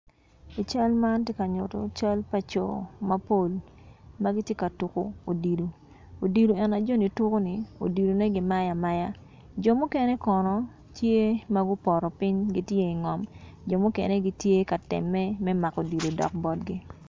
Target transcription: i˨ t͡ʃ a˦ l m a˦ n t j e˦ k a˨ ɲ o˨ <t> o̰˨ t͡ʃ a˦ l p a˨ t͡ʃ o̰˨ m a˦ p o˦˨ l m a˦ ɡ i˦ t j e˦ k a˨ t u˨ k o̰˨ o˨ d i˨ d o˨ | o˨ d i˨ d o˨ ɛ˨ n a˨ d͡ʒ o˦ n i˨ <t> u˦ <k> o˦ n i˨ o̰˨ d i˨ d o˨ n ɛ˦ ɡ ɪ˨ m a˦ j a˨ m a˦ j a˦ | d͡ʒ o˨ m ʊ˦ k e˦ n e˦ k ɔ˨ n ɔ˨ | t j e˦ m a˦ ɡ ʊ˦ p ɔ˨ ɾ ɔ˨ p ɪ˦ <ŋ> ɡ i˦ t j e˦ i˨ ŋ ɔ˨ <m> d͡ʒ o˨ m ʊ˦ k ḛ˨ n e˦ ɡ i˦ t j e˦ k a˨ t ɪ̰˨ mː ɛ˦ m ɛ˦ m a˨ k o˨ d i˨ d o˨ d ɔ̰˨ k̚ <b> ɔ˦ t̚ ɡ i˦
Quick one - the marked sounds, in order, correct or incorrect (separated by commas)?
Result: correct, correct, correct, incorrect, correct, correct